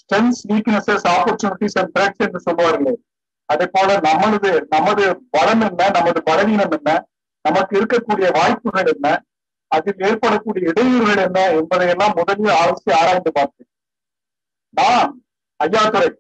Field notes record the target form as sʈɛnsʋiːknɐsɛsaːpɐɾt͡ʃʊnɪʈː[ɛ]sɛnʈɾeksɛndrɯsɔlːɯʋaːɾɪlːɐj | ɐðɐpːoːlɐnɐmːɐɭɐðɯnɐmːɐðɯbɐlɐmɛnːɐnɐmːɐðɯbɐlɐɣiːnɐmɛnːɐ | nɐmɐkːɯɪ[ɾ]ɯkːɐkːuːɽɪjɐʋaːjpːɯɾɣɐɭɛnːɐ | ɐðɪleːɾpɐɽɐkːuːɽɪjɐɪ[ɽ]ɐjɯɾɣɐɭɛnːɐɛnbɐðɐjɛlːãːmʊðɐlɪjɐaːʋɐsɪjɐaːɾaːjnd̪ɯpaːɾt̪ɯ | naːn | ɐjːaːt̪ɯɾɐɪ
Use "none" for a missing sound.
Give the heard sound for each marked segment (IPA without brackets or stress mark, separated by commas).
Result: i, ɾ, ɽ